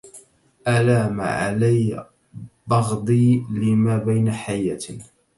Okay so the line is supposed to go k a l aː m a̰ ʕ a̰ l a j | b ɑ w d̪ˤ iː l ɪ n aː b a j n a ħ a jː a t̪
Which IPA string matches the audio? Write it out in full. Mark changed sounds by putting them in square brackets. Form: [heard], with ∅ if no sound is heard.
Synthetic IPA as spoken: [ʔ] a l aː m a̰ ʕ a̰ l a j | b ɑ [ɣ] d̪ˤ iː l ɪ [m] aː b a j n a ħ a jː a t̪